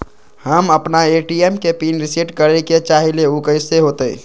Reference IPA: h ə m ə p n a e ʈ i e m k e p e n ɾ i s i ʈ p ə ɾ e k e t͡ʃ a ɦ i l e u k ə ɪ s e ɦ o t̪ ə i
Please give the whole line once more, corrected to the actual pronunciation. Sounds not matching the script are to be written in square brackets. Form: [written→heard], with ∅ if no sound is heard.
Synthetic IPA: h ə m ə p n a e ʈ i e m k e p [e→i] n ɾ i s i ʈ [p→k] ə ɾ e k e t͡ʃ a ɦ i l e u k ə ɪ s e ɦ o t̪ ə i